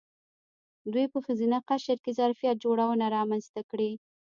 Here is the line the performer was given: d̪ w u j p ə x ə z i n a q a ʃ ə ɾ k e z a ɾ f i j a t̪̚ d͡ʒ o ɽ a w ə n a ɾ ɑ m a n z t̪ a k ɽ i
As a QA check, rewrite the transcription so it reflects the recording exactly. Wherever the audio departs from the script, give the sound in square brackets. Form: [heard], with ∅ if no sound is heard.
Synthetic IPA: d̪ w u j p ə x ə z i n a q a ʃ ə ɾ k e z a ɾ f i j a t̪̚ d͡ʒ o ɽ a w ə n a ɾ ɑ m a n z t̪ a k ɽ i